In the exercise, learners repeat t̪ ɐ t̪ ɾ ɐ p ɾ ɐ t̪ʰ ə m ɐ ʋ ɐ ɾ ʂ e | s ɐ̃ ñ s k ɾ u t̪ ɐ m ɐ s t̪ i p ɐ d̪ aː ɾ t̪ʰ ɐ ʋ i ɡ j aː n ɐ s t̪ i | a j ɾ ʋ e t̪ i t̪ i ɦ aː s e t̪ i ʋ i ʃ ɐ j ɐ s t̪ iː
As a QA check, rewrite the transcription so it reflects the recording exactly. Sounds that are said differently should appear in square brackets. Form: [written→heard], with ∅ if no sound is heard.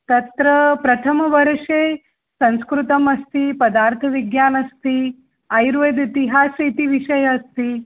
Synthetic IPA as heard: t̪ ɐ t̪ ɾ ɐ p ɾ ɐ t̪ʰ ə m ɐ ʋ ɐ ɾ ʂ e | s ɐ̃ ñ s k ɾ u t̪ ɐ m ɐ s t̪ i p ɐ d̪ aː ɾ t̪ʰ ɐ ʋ i ɡ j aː n ɐ s t̪ i | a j ɾ ʋ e [t̪→d̪] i t̪ i ɦ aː s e t̪ i ʋ i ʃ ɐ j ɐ s t̪ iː